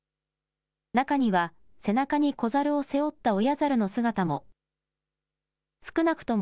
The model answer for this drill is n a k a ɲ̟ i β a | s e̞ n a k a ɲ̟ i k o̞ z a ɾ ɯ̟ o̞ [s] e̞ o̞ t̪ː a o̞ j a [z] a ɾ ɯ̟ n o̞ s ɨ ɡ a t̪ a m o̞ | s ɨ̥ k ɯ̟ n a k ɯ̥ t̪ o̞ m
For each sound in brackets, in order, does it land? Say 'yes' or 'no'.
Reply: yes, yes

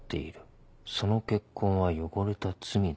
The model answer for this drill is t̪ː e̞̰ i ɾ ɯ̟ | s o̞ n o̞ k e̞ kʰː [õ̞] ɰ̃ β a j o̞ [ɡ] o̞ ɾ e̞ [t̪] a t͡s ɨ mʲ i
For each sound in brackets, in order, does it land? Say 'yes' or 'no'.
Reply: yes, yes, yes

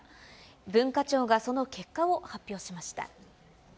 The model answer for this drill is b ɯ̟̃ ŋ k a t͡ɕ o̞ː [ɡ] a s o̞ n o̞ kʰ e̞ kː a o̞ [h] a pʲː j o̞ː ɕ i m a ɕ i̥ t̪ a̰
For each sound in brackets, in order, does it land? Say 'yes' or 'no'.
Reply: yes, yes

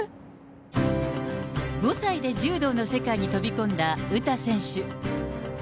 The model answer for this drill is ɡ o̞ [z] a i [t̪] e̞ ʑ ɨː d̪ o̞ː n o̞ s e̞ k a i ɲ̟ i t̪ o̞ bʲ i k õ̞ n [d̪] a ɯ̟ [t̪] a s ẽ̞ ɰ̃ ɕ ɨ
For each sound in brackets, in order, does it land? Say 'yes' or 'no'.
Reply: no, no, yes, yes

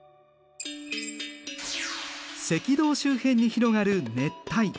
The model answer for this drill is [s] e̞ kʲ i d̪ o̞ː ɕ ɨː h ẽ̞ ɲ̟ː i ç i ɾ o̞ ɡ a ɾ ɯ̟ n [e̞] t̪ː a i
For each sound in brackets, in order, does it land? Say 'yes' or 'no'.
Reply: yes, yes

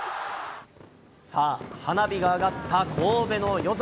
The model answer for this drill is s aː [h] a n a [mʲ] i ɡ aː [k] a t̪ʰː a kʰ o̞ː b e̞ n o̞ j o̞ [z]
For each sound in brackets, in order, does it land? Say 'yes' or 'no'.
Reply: yes, no, no, yes

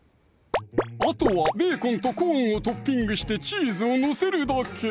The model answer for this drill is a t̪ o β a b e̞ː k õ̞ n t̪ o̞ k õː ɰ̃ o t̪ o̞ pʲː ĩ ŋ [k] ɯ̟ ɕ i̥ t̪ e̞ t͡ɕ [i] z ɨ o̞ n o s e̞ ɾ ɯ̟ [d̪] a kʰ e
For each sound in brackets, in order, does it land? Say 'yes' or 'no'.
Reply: no, no, yes

